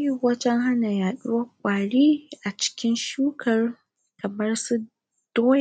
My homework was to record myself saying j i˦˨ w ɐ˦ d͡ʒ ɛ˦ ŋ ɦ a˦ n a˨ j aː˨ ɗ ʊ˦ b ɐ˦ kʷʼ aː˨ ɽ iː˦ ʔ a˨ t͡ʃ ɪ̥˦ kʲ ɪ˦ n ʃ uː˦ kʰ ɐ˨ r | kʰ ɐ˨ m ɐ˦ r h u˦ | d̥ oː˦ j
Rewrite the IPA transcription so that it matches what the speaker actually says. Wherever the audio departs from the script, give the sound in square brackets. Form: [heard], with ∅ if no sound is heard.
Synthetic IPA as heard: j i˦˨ w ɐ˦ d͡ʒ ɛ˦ ŋ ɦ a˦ n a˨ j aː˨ ɗ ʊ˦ [w] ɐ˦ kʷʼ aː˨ ɽ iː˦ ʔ a˨ t͡ʃ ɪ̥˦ kʲ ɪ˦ n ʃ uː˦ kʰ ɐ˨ r | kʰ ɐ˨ m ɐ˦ r [s] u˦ | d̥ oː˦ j